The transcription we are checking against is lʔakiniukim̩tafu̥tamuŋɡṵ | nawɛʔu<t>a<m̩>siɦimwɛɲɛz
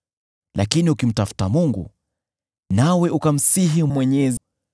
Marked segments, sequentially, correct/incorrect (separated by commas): incorrect, correct